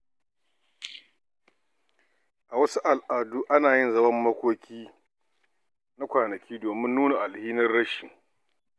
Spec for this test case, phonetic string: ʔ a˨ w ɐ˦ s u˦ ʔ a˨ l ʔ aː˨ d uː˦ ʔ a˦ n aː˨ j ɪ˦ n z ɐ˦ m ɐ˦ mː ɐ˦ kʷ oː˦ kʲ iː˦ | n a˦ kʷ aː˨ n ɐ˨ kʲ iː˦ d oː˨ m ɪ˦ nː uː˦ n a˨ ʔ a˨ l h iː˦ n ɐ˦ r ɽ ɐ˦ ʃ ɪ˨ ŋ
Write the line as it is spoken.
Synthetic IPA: ʔ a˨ w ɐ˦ s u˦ ʔ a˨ l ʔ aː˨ d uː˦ ʔ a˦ n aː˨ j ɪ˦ n z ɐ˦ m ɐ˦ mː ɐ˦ kʷ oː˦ kʲ iː˦ | n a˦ kʷ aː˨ n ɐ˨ kʲ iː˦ d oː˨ m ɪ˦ nː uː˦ n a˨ ʔ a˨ l h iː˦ n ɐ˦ r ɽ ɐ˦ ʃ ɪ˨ ŋ